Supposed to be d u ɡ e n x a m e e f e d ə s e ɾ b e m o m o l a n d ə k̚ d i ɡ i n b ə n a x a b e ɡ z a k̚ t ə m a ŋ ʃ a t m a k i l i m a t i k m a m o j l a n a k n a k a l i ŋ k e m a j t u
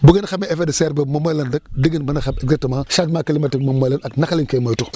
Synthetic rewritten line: b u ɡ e n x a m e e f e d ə s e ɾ b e m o m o l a n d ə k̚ d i ɡ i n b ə n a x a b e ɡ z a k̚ t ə m a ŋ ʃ a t m a k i l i m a t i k m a m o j l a n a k n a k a l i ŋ k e m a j t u